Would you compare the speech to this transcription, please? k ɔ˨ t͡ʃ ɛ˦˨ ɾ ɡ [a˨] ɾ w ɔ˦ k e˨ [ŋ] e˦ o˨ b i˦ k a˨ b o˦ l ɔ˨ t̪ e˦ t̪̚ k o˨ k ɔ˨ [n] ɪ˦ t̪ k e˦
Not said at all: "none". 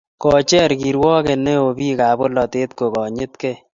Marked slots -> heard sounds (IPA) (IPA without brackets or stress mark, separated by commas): i˨, n, ɲ